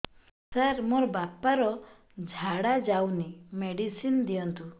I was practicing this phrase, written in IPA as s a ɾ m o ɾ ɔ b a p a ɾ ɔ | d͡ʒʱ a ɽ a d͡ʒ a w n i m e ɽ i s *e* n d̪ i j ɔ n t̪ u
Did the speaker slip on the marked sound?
yes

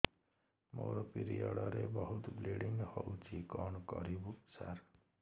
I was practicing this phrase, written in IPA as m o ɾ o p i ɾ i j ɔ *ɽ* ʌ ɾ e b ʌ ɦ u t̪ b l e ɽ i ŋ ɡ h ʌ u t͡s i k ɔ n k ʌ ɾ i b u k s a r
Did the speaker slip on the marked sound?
no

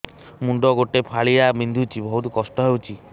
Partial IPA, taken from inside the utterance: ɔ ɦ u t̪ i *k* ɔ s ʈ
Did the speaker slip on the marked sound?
no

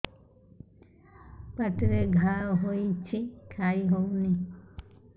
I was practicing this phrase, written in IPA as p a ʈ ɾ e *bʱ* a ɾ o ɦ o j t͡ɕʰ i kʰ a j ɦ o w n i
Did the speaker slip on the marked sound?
yes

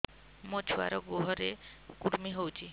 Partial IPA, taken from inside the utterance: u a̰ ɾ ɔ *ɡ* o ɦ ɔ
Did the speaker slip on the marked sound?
no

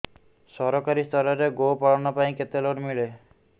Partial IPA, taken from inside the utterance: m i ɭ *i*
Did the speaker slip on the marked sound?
yes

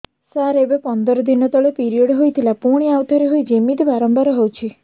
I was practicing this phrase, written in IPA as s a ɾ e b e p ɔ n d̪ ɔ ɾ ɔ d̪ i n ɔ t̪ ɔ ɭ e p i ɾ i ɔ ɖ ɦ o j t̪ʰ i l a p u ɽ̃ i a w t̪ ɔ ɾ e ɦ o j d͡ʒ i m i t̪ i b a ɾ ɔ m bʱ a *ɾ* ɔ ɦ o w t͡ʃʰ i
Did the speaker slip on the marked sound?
no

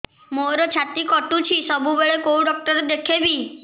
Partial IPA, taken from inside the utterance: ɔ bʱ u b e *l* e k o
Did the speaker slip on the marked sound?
yes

